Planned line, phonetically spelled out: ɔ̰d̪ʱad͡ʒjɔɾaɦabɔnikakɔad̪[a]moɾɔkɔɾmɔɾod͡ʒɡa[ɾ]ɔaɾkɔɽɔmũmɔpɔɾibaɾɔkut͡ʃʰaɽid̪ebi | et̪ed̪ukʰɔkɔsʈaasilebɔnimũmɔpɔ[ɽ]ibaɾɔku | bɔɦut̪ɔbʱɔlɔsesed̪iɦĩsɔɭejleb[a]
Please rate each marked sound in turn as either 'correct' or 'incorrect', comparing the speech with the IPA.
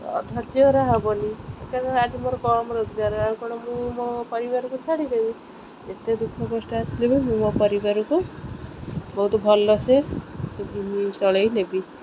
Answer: incorrect, correct, incorrect, incorrect

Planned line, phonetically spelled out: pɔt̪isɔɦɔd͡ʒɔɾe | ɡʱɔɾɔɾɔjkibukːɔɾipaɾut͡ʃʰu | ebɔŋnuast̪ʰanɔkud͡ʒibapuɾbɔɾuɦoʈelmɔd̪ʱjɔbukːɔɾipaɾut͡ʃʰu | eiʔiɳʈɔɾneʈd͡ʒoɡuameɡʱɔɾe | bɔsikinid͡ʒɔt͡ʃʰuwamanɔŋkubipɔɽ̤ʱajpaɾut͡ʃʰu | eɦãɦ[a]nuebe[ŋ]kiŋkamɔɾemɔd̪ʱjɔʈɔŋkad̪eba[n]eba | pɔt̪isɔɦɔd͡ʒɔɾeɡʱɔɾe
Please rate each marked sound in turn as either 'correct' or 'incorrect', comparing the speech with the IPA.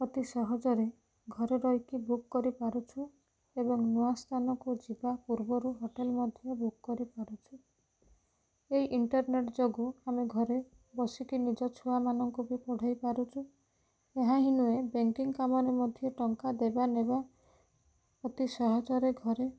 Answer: incorrect, correct, correct

